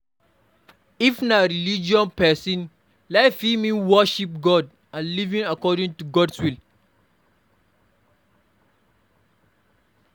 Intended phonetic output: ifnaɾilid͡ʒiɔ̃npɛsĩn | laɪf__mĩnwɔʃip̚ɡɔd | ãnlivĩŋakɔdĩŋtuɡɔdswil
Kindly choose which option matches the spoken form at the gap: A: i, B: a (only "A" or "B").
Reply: A